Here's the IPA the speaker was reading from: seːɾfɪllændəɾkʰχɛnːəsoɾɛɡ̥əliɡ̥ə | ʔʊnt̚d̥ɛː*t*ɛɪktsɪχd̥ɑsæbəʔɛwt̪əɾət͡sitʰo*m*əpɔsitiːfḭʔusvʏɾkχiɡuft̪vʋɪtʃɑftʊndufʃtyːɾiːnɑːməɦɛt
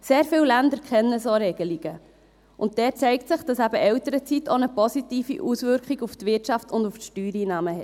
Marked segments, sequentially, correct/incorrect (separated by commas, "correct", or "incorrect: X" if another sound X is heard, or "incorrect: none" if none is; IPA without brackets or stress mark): incorrect: t͡s, incorrect: n